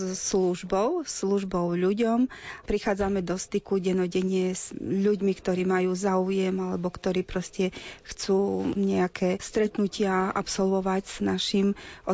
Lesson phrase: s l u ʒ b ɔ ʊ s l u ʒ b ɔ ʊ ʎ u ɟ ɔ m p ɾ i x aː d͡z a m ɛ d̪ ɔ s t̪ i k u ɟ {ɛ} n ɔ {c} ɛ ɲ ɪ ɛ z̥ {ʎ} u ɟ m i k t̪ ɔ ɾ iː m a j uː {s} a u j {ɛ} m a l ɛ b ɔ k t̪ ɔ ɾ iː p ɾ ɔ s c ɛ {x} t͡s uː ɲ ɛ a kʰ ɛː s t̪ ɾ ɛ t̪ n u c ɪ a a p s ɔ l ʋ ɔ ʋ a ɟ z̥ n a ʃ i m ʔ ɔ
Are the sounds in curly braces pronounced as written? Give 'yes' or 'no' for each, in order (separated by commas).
yes, no, yes, no, yes, yes